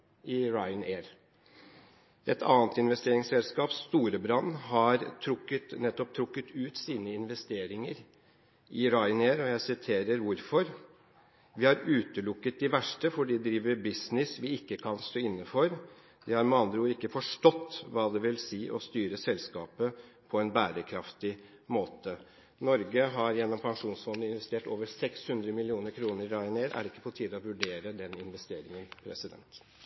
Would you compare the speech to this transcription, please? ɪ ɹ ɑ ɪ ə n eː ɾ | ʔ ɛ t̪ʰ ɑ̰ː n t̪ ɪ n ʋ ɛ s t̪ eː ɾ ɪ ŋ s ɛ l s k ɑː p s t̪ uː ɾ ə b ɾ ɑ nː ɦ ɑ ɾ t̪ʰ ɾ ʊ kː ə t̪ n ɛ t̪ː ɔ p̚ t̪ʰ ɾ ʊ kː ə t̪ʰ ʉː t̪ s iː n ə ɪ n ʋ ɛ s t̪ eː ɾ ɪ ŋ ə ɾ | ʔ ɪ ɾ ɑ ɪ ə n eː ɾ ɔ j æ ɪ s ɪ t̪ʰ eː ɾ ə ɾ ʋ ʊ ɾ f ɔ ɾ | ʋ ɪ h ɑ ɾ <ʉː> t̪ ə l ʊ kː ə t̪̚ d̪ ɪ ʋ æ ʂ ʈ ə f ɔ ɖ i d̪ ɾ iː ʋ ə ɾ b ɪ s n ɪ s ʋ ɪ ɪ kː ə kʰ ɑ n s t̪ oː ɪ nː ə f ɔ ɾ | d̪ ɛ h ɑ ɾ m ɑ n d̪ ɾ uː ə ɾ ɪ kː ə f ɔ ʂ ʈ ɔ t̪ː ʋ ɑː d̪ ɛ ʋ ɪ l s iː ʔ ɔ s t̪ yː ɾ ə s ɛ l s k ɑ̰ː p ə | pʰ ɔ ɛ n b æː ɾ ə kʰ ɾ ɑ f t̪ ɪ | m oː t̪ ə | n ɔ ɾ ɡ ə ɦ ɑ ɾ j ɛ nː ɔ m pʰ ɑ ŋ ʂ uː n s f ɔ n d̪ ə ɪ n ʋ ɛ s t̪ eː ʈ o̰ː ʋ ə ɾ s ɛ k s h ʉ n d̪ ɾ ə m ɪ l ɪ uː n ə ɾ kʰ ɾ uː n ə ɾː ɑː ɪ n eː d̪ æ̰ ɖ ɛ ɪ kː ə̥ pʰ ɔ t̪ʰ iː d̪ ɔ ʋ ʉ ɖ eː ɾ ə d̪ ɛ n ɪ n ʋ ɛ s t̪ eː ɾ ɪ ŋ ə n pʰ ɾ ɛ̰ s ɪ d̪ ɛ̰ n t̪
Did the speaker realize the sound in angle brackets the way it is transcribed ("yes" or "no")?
yes